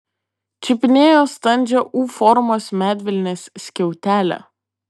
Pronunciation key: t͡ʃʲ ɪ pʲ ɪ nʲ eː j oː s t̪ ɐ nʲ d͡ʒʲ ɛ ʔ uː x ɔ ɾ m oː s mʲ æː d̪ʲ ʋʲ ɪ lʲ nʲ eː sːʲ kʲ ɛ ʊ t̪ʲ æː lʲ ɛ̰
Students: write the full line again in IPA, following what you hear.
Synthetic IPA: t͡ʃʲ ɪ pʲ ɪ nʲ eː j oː s t̪ ɐ nʲ d͡ʒʲ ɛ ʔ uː f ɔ ɾ m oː s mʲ æː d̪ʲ ʋʲ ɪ lʲ nʲ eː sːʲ kʲ ɛ ʊ t̪ʲ æː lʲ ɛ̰